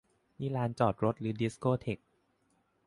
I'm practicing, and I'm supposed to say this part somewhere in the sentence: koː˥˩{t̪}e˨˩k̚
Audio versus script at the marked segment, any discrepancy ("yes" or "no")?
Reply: yes